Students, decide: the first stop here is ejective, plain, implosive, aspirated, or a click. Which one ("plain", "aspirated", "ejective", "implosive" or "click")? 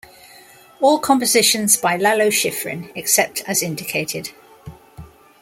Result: aspirated